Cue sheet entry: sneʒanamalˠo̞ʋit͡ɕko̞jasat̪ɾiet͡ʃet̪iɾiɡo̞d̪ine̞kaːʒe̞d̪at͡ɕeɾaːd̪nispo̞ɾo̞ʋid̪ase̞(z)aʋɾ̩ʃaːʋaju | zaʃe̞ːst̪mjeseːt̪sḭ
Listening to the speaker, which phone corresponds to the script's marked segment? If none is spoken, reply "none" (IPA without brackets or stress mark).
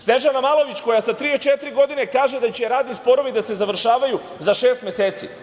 z